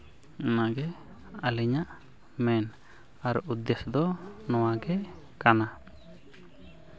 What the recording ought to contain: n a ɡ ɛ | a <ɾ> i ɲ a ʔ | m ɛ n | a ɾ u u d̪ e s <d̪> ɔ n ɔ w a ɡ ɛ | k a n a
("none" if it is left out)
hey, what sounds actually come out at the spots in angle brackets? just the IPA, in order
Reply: l, d̪

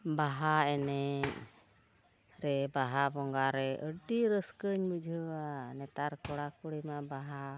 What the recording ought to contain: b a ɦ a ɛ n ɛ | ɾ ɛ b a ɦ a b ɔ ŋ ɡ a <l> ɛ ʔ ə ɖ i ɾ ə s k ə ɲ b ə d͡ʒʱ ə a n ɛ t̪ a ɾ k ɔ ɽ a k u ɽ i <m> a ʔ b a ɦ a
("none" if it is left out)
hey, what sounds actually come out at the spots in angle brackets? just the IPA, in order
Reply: ɾ, m

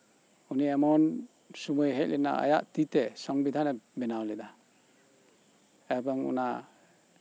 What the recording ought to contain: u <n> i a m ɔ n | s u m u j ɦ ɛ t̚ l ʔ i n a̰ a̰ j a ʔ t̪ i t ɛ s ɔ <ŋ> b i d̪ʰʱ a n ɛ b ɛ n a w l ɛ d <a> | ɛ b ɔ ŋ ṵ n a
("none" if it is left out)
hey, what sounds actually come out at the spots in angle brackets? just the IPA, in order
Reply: n, ŋ, a

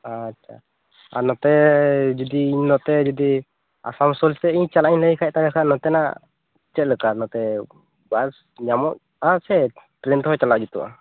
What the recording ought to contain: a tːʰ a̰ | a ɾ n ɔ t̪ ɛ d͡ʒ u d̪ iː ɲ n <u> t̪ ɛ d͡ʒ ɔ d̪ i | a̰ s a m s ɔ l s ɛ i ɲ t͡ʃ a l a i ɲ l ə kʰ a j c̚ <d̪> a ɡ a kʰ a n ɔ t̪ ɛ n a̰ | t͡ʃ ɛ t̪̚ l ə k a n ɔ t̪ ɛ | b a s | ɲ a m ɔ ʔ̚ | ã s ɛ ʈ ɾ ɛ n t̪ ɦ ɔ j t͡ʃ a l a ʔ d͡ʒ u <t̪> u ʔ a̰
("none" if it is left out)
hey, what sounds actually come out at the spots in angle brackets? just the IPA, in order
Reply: ɔ, t̪, t̪

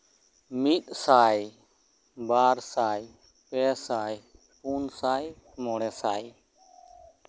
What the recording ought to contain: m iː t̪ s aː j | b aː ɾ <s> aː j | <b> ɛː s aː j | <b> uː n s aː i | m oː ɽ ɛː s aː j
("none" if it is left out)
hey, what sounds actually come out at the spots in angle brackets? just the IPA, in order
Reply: s, p, p

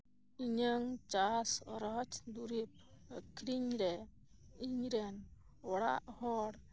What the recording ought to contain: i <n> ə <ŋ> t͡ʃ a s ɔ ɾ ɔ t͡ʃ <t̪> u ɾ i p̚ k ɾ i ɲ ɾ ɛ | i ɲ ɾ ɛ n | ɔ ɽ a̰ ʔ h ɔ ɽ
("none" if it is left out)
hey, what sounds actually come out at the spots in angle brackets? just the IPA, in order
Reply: ɲ, ŋ, d̪

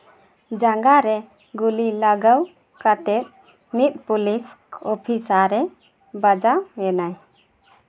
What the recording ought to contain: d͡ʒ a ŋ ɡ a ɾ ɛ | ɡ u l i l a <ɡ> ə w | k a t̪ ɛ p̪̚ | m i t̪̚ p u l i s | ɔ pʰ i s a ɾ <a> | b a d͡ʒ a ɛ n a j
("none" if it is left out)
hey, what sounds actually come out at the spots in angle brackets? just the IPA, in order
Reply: ɡ, ɛ

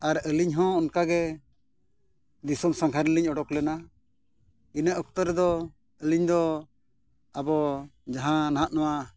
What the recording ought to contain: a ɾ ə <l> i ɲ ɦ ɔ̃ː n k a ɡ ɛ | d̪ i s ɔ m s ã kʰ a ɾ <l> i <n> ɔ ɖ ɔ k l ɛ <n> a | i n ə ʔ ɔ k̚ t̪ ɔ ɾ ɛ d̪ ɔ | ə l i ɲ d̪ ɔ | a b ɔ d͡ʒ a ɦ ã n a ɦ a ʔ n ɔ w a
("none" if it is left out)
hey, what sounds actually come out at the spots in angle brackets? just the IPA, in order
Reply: l, l, ɲ, n

